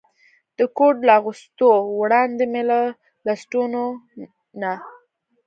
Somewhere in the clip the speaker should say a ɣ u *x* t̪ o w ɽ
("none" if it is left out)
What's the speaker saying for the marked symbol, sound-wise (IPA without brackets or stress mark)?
s